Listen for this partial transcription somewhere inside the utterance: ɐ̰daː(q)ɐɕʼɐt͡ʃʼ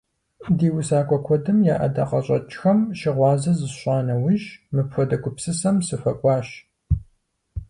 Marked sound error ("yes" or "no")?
no